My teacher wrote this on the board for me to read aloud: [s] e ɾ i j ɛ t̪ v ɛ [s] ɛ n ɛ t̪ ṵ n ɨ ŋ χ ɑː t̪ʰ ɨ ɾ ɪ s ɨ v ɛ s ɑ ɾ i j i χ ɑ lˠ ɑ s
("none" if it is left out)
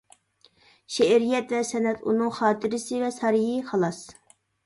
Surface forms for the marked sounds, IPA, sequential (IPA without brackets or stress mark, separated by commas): ʃ, s